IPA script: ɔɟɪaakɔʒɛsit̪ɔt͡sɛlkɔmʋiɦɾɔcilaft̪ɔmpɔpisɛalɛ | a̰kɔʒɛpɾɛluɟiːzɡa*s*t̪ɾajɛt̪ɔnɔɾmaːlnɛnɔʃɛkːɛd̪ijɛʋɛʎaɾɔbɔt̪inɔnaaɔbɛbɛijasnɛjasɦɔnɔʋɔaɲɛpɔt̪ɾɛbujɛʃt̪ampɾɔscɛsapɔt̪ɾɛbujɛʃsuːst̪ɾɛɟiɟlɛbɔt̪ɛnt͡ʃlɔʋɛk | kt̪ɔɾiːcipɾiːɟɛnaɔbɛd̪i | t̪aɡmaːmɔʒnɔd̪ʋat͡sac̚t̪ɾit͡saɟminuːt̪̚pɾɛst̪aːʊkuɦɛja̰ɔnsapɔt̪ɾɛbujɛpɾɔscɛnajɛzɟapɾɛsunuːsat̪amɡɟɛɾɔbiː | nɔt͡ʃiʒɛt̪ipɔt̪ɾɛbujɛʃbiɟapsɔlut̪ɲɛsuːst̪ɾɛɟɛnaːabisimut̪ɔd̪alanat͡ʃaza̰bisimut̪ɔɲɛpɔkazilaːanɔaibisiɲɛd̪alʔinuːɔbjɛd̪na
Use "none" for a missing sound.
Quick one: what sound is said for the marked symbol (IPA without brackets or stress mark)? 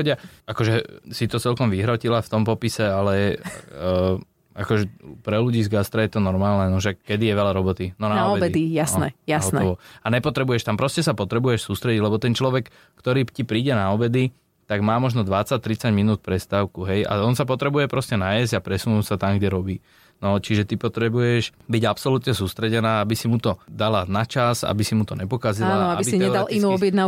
s